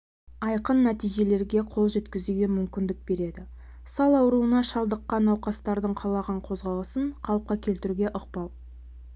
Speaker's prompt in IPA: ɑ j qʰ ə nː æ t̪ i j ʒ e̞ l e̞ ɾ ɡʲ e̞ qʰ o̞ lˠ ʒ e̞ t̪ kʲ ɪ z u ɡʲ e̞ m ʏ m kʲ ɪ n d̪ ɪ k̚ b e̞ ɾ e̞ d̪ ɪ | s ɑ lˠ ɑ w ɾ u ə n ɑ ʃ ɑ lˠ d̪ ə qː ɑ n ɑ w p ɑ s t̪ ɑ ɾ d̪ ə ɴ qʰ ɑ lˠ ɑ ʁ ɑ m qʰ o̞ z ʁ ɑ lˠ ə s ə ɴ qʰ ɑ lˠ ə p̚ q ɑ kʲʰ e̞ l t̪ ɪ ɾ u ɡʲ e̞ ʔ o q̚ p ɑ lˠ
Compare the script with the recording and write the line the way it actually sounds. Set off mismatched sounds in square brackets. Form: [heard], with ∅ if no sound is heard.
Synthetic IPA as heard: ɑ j [q] ə nː æ t̪ i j ʒ e̞ l e̞ ɾ ɡʲ e̞ qʰ o̞ lˠ ʒ e̞ t̪ kʲ ɪ z u ɡʲ e̞ m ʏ m kʲ ɪ n d̪ ɪ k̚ b e̞ ɾ e̞ d̪ ɪ | s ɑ lˠ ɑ w ɾ u ə n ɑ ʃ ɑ lˠ d̪ ə qː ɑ n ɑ w [q] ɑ s t̪ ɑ ɾ d̪ ə ɴ qʰ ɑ lˠ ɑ ʁ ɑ [ɴ] qʰ o̞ z ʁ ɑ lˠ ə s ə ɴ qʰ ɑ lˠ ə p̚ q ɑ kʲʰ e̞ l t̪ ɪ ɾ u ɡʲ e̞ ʔ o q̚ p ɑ lˠ